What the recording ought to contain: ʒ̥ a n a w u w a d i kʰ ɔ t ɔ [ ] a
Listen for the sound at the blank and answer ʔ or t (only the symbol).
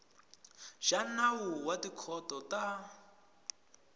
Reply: t